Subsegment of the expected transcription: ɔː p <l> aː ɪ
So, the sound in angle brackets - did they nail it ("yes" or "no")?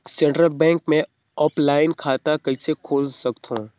yes